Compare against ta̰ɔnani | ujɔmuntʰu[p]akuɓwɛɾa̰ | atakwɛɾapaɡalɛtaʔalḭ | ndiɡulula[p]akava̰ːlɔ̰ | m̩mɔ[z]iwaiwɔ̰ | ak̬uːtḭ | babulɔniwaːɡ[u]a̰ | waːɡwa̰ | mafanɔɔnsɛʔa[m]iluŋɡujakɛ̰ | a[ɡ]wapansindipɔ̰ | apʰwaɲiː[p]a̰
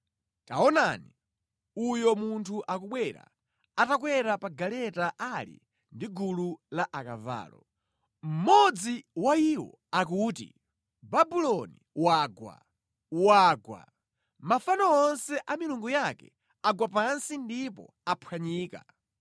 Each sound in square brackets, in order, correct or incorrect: incorrect: ʔ, incorrect: ʔ, incorrect: d͡z, incorrect: w, correct, correct, incorrect: k

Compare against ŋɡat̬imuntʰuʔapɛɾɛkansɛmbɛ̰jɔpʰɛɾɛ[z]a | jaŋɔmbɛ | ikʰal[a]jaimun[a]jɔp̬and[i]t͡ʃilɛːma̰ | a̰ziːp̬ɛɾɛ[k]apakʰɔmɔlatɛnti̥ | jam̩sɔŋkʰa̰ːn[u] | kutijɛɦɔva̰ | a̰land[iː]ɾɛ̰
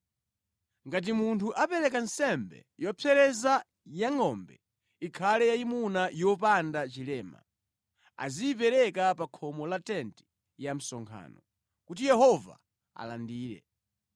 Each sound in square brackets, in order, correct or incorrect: correct, incorrect: ɛ, correct, incorrect: a, correct, incorrect: ɔ, correct

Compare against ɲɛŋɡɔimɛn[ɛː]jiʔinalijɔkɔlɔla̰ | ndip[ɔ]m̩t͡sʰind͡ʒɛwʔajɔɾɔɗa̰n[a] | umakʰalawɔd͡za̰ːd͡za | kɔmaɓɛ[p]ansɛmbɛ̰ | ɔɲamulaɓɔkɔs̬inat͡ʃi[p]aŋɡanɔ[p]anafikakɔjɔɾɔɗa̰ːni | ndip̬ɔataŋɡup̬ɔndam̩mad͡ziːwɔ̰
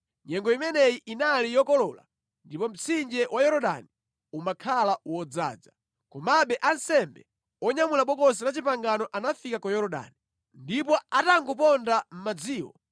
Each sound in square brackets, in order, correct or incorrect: incorrect: ɛ, correct, incorrect: i, incorrect: ʔ, correct, incorrect: ʔ

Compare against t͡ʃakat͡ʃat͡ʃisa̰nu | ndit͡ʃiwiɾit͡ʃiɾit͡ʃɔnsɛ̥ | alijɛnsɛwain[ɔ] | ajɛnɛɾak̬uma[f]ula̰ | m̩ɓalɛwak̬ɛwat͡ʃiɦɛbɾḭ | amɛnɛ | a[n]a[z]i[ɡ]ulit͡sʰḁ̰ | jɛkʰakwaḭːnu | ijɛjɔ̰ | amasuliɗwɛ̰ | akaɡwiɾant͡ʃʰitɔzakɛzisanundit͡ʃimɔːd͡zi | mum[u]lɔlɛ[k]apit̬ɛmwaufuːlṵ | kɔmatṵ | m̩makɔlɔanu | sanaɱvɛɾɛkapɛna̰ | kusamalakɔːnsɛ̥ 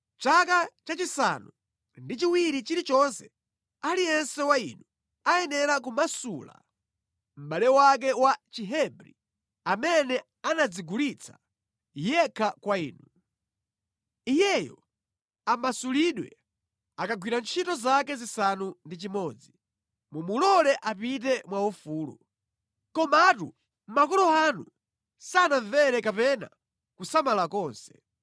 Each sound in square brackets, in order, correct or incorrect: incorrect: u, incorrect: s, correct, incorrect: d͡z, correct, correct, incorrect: ʔ

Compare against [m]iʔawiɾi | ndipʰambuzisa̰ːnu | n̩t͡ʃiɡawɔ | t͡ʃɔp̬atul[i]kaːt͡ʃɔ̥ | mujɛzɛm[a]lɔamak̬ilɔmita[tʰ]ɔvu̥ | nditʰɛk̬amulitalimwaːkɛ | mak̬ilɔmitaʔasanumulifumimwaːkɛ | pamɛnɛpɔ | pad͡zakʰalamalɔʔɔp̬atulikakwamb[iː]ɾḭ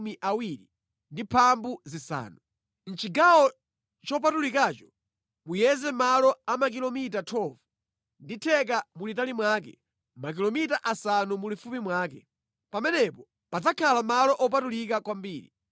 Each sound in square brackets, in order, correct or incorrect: correct, correct, correct, correct, correct

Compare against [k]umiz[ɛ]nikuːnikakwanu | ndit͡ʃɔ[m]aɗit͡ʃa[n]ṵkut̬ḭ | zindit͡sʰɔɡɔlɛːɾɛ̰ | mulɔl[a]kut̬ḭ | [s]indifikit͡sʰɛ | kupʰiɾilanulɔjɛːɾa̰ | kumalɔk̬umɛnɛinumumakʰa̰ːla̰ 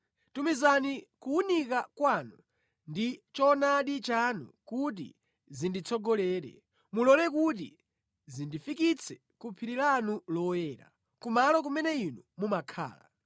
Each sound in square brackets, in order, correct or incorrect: incorrect: t, incorrect: a, incorrect: n, correct, incorrect: ɛ, incorrect: z

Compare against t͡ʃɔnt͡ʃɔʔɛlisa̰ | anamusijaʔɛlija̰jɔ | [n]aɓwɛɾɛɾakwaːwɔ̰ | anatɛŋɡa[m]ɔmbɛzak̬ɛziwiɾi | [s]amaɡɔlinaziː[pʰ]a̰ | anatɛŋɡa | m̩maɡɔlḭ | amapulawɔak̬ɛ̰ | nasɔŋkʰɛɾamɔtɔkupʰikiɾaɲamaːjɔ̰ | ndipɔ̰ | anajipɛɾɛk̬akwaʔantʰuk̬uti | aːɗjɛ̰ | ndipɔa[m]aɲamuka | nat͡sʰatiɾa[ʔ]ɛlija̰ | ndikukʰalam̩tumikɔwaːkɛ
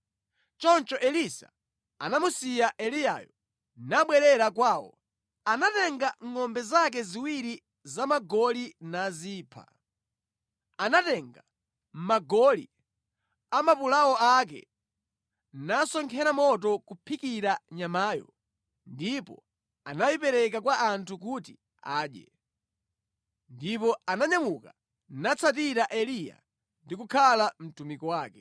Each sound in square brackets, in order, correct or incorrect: correct, incorrect: ŋ, incorrect: z, correct, incorrect: n, correct

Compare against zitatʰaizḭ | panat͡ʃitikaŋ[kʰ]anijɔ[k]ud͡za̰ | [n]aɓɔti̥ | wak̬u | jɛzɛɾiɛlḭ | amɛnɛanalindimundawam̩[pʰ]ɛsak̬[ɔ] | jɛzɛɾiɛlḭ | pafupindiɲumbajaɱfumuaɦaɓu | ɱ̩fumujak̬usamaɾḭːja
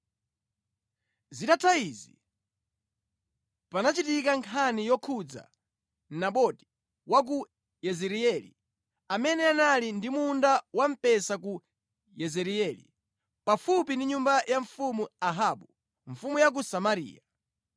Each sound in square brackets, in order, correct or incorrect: correct, incorrect: kʰ, correct, incorrect: p, incorrect: u

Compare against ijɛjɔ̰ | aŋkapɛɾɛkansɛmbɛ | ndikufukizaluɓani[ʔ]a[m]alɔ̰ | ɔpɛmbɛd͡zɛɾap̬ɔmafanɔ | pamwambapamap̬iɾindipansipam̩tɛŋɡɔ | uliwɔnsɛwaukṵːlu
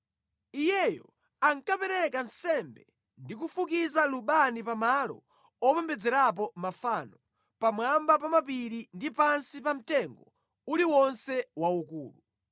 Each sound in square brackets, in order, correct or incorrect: incorrect: p, correct

